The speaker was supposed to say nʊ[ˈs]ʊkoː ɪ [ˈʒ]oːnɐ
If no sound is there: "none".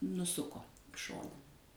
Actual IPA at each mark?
s, ʃ

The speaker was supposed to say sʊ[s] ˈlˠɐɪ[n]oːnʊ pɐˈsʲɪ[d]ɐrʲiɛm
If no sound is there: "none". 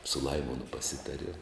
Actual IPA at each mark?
none, m, t

